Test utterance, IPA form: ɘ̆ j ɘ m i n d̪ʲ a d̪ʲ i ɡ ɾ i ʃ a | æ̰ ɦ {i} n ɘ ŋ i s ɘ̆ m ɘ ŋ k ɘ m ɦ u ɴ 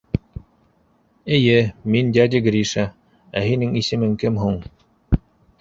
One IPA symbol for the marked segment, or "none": i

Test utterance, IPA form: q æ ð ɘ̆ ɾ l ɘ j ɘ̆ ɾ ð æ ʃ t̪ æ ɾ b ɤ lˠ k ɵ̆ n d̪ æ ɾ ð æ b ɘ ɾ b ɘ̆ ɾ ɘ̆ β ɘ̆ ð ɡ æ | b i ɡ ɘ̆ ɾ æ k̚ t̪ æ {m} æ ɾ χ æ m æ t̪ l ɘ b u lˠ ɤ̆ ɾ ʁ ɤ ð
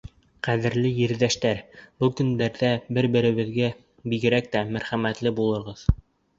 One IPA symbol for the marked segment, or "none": m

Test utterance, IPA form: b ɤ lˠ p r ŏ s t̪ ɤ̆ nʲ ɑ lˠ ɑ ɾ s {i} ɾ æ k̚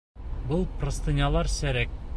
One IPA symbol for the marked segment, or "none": æ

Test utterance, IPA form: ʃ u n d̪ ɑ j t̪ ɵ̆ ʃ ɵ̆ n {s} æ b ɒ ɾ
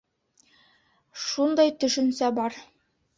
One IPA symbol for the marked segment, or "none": s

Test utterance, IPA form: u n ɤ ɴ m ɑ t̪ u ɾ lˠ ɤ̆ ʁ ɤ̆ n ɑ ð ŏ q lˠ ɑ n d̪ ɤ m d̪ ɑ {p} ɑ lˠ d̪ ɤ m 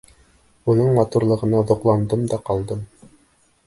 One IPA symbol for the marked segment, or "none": q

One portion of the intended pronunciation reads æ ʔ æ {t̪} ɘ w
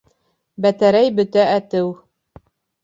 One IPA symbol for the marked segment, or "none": t̪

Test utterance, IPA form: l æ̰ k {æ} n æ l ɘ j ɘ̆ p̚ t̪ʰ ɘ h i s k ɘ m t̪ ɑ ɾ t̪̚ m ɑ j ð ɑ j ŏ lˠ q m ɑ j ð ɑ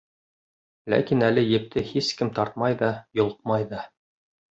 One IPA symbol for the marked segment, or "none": i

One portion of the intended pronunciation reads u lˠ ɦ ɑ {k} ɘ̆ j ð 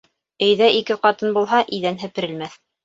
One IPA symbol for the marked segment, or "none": ʔ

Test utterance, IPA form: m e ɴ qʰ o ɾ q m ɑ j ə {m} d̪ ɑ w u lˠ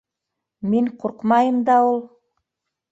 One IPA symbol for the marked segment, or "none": m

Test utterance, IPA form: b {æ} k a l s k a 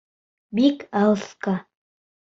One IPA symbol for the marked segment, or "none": i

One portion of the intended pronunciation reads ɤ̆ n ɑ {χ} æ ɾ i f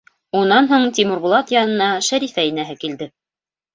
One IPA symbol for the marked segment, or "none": ʃ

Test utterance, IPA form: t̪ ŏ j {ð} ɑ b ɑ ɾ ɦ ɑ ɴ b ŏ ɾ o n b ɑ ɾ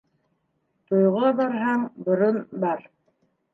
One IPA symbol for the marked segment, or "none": ʁ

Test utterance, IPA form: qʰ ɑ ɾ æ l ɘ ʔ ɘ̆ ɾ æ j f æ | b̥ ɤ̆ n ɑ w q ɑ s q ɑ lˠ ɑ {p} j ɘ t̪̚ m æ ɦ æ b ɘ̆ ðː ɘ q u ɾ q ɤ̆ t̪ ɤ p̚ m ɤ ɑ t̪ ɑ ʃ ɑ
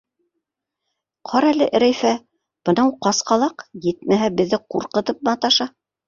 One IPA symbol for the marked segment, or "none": q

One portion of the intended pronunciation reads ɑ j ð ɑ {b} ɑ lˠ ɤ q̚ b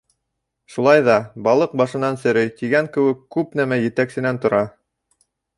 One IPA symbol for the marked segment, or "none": b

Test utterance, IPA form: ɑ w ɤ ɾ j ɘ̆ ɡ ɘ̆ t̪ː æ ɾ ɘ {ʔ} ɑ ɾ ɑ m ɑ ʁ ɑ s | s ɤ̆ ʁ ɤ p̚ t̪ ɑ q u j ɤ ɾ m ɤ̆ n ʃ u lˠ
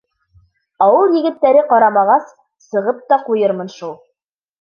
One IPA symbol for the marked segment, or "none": q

